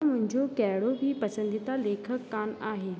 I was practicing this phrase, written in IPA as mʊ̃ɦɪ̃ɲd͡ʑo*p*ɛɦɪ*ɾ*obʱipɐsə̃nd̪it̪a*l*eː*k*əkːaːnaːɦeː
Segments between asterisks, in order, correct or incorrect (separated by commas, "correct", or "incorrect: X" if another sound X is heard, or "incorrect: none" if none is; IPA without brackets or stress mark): incorrect: k, incorrect: ɽ, correct, incorrect: kʰ